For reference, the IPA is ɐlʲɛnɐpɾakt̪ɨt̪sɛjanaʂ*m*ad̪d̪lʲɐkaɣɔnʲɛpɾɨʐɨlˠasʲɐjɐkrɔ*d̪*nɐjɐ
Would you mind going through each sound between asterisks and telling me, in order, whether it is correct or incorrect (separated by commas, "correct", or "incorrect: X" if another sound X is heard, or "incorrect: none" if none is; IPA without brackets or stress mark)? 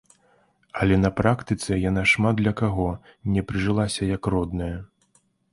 correct, correct